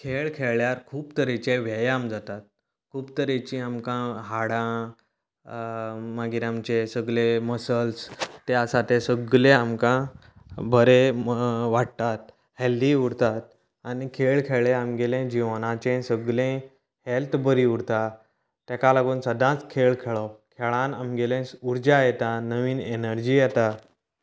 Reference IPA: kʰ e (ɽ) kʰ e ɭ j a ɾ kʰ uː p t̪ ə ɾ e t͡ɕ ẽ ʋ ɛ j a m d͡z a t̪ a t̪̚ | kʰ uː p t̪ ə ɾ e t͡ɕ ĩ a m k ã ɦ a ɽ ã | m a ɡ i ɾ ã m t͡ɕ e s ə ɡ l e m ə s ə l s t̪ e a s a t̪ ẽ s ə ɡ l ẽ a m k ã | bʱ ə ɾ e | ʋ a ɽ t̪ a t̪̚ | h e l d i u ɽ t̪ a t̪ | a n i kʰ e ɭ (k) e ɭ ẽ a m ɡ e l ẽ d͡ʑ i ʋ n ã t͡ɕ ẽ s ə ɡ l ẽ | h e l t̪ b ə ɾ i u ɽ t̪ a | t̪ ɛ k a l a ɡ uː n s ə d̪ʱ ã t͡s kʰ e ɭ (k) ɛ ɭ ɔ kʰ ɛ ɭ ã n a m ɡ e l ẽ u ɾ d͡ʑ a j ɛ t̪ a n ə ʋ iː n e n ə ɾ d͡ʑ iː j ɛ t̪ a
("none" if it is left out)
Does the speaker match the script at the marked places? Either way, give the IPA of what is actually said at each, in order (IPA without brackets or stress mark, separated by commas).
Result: ɭ, kʰ, kʰ